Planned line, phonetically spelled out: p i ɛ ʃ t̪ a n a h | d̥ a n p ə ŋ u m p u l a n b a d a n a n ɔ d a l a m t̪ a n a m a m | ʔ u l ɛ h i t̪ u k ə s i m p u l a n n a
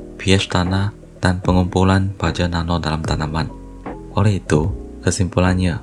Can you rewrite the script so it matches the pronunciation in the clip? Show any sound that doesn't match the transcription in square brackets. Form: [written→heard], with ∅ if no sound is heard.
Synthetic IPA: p i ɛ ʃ t̪ a n a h | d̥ a n p ə ŋ u m p u l a n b a [d→d͡ʒ] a n a n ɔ d a l a m t̪ a n a m a [m→n] | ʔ [u→o] l ɛ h i t̪ u k ə s i m p u l a n [n→ɲ] a